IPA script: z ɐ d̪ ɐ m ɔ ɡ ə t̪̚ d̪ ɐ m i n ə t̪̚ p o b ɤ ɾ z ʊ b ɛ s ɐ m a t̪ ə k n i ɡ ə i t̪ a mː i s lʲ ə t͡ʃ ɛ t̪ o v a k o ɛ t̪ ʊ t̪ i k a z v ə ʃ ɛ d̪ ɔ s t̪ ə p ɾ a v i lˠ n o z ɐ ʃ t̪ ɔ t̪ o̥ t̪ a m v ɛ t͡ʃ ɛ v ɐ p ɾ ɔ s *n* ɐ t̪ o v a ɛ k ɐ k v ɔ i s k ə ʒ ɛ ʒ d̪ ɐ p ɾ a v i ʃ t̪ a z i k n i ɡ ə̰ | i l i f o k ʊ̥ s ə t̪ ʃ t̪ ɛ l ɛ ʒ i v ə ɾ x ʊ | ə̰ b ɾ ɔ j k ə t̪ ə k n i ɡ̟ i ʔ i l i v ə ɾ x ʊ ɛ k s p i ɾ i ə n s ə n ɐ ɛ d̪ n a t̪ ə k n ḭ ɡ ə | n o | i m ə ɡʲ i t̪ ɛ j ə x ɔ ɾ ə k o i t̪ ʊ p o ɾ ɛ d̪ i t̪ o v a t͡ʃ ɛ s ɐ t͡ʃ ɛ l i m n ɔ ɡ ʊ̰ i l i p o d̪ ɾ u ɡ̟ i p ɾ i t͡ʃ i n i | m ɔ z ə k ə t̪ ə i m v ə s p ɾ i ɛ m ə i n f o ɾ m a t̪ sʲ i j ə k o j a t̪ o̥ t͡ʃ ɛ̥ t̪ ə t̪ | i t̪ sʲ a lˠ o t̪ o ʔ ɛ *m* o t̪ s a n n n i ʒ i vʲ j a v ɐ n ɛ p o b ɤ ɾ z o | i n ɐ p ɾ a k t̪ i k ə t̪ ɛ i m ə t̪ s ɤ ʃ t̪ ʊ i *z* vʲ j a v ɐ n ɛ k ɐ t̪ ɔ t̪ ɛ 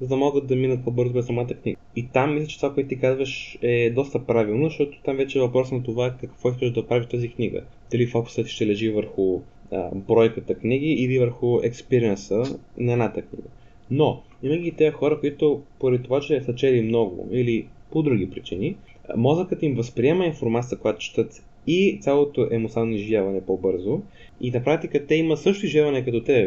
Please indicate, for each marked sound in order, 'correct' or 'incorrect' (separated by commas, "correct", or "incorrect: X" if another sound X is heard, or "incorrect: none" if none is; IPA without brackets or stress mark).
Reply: correct, correct, incorrect: ʒ